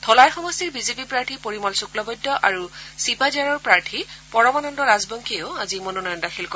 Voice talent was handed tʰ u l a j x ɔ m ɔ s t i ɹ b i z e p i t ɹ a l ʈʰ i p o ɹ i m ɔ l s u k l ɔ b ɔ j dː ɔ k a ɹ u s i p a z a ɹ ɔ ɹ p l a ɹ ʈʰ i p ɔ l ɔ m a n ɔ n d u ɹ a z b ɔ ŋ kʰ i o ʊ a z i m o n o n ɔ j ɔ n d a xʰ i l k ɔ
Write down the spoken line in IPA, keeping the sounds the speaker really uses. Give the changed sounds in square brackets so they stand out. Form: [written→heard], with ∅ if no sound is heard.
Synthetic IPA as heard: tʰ [u→ɔ] l a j x ɔ m ɔ s t i ɹ b i z e p i [t→p] ɹ a [l→ɹ] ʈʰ i p o ɹ i m ɔ l s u k l ɔ b ɔ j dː ɔ [k→ʔ] a ɹ u s i p a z a ɹ ɔ ɹ p [l→ɹ] a ɹ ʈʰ i p ɔ [l→ɹ] ɔ m a n ɔ n d [u→ɔ] ɹ a z b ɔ ŋ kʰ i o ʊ a z i m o n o n ɔ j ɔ n d a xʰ i l k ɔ